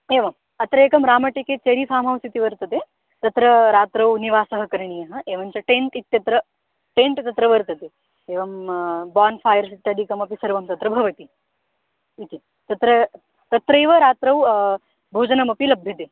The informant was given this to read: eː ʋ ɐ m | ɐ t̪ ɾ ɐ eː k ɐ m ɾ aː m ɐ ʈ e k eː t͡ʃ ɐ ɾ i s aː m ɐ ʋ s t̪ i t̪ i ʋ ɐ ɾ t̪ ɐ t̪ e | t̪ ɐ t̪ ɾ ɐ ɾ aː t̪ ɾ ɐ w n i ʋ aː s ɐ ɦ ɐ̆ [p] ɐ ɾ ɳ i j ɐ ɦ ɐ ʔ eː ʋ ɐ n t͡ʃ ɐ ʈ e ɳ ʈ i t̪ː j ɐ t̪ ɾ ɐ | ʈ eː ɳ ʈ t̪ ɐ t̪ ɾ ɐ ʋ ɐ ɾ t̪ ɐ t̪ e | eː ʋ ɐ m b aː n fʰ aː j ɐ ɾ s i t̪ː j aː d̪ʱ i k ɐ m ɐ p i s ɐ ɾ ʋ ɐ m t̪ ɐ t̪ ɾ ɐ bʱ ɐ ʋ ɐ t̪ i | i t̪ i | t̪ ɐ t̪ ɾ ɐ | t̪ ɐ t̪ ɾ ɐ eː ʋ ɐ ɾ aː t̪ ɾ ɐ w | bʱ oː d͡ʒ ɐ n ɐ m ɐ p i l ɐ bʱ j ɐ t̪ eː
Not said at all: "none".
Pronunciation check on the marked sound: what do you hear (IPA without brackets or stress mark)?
k